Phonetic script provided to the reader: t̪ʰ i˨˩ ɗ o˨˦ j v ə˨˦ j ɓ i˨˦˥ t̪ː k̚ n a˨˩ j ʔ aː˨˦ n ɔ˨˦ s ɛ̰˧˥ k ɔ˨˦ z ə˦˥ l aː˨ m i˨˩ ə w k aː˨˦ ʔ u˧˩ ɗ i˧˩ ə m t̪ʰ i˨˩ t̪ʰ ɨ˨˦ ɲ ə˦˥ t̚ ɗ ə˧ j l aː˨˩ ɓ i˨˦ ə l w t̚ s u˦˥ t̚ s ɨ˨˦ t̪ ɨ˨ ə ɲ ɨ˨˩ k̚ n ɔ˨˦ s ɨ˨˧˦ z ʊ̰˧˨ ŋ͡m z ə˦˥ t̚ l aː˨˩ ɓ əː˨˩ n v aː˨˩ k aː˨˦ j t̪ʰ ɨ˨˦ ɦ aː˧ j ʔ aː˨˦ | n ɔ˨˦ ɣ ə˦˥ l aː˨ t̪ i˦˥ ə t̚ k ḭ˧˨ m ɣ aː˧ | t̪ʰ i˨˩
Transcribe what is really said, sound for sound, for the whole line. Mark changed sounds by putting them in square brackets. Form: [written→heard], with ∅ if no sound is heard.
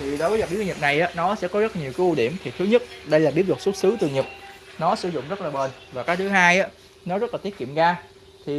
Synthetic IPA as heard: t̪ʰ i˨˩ ɗ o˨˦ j v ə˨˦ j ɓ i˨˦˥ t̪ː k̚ n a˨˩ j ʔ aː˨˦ n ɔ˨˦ s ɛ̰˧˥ k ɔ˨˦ z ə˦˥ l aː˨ [m→ɲ] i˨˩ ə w k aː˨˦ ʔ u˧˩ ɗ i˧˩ ə m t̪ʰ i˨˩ t̪ʰ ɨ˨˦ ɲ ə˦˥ t̚ ɗ ə˧ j l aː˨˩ ɓ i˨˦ ə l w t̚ s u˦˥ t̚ s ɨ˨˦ t̪ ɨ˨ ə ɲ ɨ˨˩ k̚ n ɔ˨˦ s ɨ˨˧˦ z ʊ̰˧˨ ŋ͡m z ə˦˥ t̚ l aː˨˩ ɓ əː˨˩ n v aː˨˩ k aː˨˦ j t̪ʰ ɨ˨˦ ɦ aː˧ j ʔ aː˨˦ | n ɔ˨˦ [ɣ→z] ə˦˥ l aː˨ t̪ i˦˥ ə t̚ k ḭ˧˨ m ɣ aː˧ | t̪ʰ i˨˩